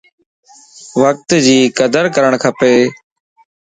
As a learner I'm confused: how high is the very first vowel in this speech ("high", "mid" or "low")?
mid